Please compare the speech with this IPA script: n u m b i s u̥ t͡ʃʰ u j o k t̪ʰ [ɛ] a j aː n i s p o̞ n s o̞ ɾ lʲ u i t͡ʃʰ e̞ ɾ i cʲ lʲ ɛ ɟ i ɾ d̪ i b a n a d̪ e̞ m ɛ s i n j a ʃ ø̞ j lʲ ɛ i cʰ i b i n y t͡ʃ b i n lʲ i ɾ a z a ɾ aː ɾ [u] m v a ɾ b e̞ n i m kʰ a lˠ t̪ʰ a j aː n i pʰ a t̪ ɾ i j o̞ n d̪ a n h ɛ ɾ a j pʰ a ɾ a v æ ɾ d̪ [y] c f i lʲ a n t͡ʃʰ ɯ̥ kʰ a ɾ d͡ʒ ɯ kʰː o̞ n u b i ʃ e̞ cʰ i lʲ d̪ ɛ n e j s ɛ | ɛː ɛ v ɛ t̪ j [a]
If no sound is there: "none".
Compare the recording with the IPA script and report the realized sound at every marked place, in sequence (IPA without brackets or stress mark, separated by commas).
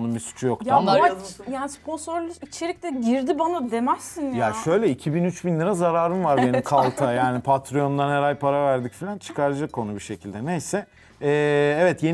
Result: a, ɯ, i, e